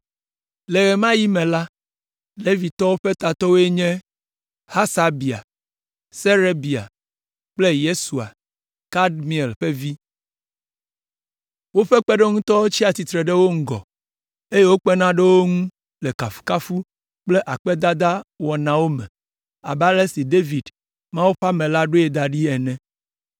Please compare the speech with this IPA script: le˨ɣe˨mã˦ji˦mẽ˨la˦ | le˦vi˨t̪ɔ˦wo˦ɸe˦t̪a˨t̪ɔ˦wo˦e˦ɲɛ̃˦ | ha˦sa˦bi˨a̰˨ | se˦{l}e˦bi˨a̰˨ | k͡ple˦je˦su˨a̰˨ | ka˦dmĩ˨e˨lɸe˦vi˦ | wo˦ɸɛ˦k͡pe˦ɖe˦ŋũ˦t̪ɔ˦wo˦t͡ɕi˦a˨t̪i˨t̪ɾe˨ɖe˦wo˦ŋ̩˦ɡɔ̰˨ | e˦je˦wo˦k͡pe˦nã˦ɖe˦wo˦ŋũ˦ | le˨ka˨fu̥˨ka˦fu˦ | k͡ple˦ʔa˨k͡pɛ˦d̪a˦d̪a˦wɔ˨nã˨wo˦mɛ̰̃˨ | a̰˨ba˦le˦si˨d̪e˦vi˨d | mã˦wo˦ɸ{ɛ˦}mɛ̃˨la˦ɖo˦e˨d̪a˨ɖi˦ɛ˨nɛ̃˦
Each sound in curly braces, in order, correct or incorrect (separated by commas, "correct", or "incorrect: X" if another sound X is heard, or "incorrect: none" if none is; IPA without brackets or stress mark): incorrect: ɾ, incorrect: a˦